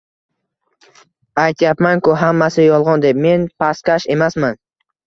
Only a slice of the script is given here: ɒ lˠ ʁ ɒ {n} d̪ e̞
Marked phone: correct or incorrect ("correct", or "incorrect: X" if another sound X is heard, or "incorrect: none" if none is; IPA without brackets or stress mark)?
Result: correct